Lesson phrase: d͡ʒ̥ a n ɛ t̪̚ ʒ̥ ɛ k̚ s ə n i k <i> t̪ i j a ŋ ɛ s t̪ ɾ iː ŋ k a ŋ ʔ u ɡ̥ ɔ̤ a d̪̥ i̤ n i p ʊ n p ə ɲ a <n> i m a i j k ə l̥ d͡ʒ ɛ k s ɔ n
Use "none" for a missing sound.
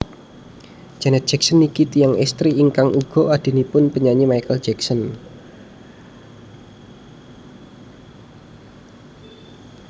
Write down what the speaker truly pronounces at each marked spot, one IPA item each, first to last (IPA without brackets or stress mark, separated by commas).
i, ɲ